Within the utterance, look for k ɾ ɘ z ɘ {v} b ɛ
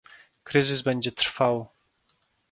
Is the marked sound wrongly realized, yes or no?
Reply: yes